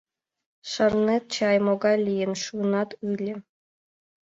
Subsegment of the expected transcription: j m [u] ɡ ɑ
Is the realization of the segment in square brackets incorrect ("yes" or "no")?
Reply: yes